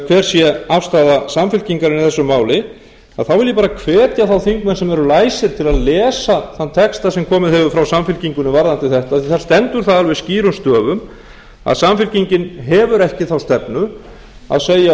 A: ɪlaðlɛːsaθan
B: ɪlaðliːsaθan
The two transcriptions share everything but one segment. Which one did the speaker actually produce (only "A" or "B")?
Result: A